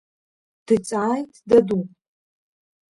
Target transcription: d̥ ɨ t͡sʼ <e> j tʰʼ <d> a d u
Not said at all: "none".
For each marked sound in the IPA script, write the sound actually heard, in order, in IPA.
a, d

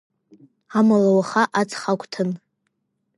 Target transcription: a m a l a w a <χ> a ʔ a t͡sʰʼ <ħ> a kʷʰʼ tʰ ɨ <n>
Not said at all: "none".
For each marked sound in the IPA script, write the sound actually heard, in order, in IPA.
χ, χ, n

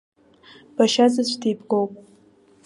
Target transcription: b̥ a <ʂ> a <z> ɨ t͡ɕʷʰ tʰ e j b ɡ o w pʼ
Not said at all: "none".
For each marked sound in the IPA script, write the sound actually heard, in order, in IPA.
ʃ, z

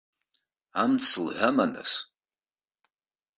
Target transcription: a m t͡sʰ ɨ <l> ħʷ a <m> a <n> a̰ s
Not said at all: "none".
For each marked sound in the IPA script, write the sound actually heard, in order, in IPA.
l, m, n

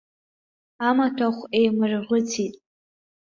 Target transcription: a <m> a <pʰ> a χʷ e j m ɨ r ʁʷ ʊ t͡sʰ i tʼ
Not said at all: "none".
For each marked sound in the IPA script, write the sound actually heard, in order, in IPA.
m, tʰ

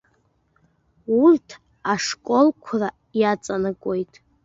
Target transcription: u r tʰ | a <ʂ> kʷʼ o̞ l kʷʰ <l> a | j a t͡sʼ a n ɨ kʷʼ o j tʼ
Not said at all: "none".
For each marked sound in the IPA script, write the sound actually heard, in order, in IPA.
ʂ, r

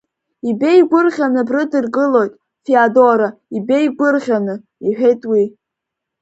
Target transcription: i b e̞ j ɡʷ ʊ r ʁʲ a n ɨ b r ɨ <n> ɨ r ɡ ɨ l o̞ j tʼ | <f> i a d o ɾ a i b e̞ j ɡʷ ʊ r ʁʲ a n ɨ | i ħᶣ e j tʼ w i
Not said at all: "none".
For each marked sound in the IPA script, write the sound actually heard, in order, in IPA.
d, f

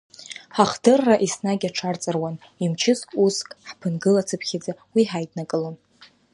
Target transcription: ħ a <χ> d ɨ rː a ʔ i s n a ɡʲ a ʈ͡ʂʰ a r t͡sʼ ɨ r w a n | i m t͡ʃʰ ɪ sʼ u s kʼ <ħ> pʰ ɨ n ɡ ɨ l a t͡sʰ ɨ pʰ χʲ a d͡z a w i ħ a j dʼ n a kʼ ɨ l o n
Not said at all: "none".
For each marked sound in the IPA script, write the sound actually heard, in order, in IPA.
χ, ħ

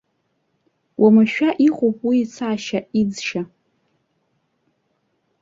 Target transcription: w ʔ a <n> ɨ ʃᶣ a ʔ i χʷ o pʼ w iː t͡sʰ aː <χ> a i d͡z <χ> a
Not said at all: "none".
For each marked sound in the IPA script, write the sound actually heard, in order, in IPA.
m, ʃ, ʃ

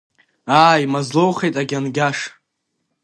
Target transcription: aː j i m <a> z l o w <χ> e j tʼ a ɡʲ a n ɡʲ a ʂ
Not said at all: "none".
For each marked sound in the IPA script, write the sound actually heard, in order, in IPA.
a, χ

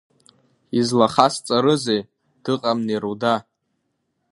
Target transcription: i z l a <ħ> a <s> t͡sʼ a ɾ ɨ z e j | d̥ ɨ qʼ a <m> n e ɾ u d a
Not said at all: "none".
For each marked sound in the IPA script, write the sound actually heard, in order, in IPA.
χ, s, m

